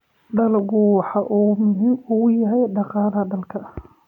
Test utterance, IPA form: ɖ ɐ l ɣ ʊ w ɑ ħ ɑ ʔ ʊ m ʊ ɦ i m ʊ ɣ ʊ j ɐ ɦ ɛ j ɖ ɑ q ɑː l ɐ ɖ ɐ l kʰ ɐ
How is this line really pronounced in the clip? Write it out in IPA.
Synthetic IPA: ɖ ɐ l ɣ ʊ w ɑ ħ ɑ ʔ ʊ m ʊ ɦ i m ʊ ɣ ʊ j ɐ ɦ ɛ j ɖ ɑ q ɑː l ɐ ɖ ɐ l kʰ ɐ